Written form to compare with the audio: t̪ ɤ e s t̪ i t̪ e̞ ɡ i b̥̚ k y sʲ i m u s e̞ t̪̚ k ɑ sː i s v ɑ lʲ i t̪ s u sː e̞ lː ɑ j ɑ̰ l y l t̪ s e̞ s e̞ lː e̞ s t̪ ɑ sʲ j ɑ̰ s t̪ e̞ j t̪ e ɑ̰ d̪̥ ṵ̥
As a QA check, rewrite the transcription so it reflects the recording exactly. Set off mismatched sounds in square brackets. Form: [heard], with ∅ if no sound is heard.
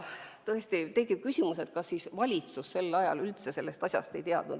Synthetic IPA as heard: t̪ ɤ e s t̪ i t̪ e̞ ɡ i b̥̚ k y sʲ i m u s e̞ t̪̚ k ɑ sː i s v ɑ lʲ i t̪ s u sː e̞ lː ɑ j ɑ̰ l y l t̪ s e̞ s e̞ lː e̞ s t̪ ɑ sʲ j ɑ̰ s t̪ e̞ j t̪ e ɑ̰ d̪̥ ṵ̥